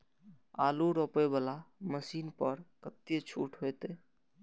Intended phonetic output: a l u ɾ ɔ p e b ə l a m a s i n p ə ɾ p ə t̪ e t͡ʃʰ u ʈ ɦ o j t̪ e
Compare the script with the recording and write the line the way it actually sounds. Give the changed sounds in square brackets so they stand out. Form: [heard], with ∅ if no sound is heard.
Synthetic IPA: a l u ɾ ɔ p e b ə l a m [ə] s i n p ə ɾ [k] ə t̪ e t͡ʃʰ u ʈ ɦ o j t̪ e